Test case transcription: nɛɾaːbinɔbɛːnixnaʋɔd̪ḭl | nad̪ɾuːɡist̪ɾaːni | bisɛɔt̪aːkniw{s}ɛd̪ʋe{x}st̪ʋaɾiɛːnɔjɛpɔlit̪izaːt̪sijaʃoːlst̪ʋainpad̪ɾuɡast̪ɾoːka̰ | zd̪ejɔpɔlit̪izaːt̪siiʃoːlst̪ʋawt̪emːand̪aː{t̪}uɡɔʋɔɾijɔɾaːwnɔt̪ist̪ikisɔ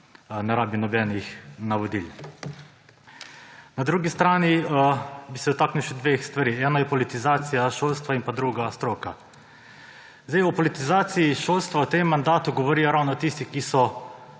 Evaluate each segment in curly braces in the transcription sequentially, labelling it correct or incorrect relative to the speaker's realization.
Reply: incorrect: ʃ, correct, correct

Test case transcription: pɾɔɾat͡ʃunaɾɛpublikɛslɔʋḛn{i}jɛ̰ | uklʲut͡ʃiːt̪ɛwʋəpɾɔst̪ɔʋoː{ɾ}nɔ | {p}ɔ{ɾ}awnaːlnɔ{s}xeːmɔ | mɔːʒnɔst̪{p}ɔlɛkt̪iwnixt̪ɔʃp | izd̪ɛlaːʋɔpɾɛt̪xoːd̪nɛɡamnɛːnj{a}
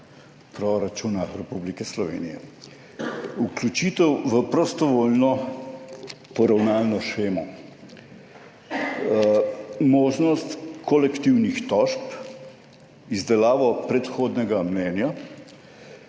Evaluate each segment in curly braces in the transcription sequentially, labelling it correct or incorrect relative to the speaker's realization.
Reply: correct, incorrect: l, correct, correct, incorrect: ʃ, incorrect: k, correct

